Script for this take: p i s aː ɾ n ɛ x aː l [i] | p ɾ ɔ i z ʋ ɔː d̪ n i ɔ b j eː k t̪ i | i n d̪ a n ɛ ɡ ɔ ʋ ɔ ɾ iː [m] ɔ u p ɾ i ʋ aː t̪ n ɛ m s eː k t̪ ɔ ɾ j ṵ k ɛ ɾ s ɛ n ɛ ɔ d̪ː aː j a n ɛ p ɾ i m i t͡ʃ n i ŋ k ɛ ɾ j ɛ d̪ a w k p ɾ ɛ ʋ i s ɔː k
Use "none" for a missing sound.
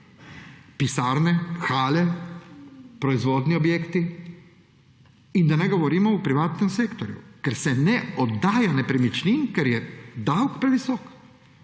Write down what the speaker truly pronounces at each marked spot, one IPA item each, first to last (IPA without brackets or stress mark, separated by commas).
ɛ, m